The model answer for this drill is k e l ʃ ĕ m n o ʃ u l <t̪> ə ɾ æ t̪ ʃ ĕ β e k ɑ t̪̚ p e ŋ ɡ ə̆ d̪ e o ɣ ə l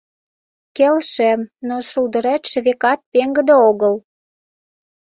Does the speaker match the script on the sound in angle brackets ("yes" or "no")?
no